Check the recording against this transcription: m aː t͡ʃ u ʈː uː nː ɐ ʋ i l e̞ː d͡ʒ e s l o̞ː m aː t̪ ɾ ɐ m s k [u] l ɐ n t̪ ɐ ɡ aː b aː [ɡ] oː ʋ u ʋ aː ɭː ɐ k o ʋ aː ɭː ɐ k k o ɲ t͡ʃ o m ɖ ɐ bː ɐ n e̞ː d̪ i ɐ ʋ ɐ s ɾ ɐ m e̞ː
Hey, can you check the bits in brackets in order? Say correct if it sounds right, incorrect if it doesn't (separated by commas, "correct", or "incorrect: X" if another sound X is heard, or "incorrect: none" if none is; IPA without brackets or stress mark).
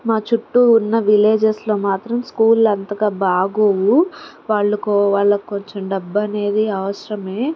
incorrect: uː, correct